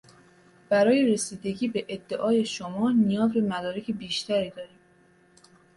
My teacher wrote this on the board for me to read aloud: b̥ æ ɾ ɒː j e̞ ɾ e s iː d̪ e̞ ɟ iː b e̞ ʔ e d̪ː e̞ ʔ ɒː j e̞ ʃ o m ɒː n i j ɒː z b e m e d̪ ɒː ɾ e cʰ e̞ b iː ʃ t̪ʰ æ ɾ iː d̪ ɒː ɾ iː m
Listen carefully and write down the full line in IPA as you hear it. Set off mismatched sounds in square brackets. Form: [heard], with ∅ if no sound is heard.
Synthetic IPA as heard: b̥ æ ɾ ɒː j e̞ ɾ e s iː d̪ e̞ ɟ iː b e̞ ʔ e d̪ː e̞ ʔ ɒː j e̞ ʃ o m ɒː n i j ɒː z b e m [æ] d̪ ɒː ɾ e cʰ e̞ b iː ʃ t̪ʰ æ ɾ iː d̪ ɒː ɾ iː m